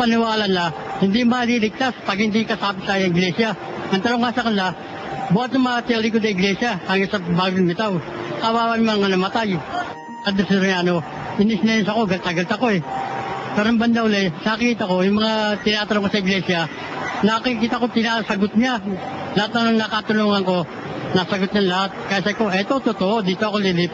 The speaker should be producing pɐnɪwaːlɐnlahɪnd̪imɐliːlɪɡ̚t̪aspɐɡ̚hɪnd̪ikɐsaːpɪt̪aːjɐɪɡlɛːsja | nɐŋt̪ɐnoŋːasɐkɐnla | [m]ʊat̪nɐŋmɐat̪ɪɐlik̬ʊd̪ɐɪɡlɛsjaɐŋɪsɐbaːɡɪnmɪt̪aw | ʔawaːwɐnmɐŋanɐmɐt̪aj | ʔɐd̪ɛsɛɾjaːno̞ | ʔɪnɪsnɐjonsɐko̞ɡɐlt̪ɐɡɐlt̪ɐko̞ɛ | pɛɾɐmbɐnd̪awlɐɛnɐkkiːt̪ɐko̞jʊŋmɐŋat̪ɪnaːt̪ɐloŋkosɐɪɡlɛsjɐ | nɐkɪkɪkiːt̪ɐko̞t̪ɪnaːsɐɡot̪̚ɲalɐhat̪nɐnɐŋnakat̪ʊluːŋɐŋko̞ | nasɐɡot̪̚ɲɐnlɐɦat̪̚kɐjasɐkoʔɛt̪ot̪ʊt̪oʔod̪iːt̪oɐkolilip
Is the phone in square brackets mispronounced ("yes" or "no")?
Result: yes